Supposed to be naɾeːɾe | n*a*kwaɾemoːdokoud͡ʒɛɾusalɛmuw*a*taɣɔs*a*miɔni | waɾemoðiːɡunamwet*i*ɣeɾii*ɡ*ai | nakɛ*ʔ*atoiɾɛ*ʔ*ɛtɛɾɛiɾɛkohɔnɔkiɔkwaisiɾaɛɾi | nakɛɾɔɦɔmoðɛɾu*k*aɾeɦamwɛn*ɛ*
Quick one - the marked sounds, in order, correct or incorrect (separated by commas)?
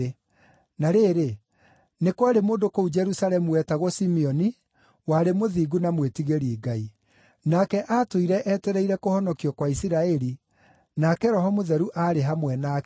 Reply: incorrect, incorrect, incorrect, correct, correct, correct, correct, incorrect, incorrect